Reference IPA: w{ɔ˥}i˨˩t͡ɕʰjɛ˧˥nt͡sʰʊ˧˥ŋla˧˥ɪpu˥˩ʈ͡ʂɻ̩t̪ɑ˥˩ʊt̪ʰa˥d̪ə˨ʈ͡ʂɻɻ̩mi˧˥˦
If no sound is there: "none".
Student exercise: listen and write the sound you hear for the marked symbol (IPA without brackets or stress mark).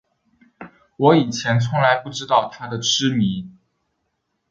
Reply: ɔ˧˥